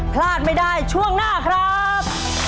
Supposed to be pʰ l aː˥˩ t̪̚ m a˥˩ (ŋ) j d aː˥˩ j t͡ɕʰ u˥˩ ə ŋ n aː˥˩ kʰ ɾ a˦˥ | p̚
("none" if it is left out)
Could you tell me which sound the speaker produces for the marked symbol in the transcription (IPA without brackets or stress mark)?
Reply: none